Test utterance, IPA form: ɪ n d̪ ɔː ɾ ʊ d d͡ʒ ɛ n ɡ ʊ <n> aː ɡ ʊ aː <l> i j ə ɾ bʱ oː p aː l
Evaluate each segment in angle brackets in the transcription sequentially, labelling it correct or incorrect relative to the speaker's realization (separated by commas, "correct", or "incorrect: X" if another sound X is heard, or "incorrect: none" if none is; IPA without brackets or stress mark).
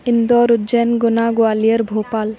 correct, correct